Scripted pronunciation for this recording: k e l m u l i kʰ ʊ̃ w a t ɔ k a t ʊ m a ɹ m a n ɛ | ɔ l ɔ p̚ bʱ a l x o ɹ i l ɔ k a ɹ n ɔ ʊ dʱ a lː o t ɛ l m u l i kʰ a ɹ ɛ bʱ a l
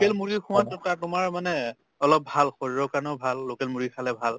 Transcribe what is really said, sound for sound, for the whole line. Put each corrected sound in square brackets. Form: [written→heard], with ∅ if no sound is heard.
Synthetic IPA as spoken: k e l m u [l→ɹ] i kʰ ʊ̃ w a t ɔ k a t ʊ m a ɹ m a n ɛ | ɔ l ɔ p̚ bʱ a l x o ɹ i [l→ɹ] ɔ k a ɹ n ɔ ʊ [dʱ→bʱ] a lː o [t→k] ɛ l m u [l→ɹ] i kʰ a [ɹ→l] ɛ bʱ a l